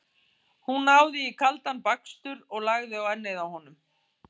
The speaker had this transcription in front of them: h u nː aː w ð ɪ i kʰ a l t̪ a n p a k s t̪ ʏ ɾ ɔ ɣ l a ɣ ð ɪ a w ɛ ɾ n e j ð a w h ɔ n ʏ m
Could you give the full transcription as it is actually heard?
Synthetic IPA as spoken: h u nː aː w ð ɪ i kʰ a l t̪ a n p a k s t̪ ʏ ɾ ɔ ɣ l a ɣ ð ɪ a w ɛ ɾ n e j ð a w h ɔ n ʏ m